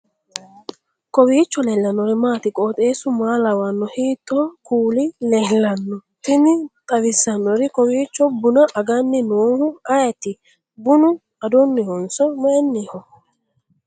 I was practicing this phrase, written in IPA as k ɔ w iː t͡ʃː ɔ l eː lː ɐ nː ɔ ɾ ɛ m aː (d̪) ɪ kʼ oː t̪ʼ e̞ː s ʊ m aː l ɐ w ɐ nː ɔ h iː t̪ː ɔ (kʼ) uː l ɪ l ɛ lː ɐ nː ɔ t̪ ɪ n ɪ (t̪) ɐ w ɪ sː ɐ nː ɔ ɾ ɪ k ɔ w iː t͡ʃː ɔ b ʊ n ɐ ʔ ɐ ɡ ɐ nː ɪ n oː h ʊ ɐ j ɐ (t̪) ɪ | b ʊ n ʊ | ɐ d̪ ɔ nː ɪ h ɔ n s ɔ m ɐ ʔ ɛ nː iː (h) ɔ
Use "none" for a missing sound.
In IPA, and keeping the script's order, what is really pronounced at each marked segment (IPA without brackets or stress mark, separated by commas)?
t̪, k, t̪ʼ, t̪, h